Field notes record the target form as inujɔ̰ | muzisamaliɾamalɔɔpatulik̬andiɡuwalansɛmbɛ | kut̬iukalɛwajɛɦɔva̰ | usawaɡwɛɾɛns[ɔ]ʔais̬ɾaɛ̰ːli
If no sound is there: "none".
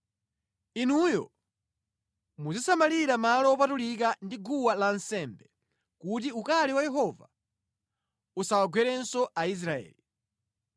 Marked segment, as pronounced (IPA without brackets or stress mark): ɔ